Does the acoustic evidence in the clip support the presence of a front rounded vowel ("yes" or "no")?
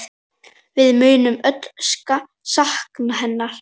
yes